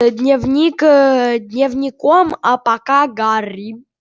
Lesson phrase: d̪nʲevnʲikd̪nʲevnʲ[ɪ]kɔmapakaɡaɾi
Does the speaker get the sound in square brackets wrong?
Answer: yes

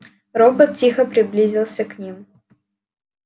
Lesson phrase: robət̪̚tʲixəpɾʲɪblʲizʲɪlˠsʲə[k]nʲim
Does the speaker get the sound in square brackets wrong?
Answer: no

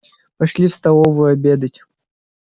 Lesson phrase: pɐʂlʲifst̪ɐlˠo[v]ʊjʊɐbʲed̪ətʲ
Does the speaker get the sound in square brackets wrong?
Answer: no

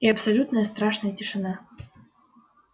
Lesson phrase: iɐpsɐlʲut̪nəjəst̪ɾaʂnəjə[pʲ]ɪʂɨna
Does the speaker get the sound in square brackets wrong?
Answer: yes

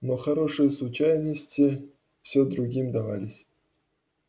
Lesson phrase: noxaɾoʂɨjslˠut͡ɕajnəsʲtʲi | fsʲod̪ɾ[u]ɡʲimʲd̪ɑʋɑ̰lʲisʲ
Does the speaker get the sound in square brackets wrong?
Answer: no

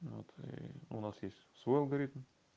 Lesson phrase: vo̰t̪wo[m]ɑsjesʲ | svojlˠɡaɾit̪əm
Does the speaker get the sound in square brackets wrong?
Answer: yes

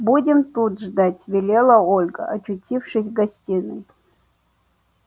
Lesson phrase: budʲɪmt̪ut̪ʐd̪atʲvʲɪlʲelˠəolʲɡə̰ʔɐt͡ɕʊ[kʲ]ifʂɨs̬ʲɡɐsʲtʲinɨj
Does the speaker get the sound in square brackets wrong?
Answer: yes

